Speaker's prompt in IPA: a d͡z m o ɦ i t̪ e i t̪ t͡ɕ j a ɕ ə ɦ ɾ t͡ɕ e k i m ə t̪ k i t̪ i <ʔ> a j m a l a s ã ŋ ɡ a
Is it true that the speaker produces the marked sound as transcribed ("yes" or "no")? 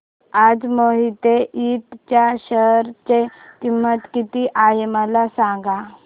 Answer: yes